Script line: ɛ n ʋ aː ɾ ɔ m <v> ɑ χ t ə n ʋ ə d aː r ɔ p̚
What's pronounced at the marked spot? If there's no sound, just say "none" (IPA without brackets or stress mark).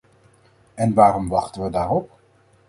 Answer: ʋ